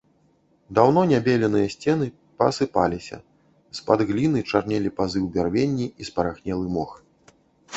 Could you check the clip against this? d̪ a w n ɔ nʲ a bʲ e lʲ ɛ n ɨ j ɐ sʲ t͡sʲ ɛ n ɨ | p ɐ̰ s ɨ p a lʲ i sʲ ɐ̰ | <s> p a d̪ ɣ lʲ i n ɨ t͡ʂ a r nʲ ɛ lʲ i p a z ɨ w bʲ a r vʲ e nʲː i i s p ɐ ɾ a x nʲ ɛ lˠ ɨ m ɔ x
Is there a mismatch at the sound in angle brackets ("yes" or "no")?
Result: no